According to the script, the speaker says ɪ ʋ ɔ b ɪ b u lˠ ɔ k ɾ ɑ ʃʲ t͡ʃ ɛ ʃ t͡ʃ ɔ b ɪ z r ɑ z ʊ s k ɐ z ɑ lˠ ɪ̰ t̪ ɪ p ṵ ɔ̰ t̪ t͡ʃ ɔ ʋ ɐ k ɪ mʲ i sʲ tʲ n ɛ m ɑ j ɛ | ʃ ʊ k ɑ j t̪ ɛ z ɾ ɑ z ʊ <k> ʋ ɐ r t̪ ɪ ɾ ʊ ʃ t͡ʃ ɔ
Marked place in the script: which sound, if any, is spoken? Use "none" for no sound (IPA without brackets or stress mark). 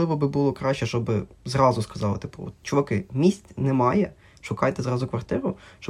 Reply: k